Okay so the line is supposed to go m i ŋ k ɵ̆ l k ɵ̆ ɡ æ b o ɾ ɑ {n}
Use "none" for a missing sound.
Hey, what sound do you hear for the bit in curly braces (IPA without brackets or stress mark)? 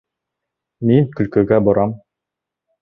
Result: m